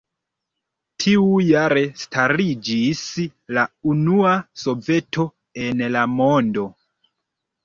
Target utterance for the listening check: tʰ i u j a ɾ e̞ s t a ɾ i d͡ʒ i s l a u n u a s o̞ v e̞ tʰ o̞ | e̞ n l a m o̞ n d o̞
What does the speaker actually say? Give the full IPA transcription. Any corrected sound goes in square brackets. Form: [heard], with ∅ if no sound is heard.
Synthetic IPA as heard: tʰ i u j a ɾ e̞ s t a ɾ i d͡ʒ i s l a u n u a s o̞ v e̞ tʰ o̞ | e̞ n l a m o̞ n d o̞